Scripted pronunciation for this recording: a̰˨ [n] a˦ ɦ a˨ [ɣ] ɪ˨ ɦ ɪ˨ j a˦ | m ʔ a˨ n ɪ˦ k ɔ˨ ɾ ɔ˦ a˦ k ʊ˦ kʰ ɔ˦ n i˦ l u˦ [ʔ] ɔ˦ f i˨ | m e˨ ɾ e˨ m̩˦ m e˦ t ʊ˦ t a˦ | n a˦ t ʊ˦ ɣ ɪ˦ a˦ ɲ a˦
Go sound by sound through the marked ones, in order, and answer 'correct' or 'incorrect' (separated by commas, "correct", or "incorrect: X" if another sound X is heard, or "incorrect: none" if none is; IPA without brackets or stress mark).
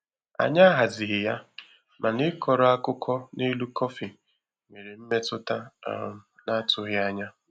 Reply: incorrect: ɲ, incorrect: z, incorrect: k